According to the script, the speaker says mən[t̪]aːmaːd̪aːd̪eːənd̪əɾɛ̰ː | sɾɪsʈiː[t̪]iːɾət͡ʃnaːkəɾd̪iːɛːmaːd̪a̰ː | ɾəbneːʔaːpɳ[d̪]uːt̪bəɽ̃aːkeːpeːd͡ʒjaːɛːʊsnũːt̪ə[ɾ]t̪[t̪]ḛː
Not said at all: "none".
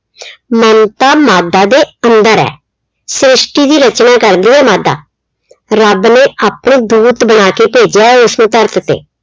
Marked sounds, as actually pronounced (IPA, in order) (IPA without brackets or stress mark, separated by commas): t̪, d̪, d̪, ɾ, t̪